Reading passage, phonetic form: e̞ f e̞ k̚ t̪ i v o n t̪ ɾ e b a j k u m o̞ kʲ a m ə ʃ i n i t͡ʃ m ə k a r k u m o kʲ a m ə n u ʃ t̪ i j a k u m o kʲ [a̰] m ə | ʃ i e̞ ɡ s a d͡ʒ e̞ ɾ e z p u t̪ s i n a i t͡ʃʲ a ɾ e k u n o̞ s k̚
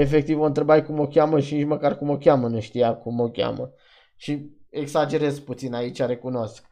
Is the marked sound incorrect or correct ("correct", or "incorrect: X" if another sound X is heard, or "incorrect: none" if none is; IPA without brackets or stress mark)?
correct